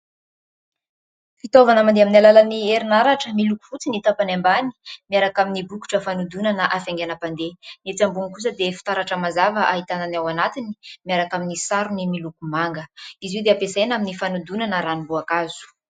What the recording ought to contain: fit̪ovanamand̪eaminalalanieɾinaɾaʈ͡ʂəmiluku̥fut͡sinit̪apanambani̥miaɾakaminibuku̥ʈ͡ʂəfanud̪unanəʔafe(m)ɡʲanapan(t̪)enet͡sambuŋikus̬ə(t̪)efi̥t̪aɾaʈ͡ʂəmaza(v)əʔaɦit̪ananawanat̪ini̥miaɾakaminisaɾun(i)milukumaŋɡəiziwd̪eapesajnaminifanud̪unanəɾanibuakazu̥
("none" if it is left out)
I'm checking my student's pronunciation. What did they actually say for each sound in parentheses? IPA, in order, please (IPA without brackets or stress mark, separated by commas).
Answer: ŋ, d̪, d̪, v, i